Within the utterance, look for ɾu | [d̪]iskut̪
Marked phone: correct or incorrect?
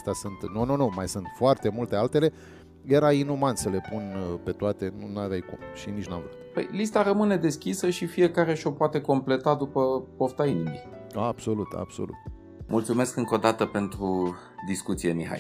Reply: correct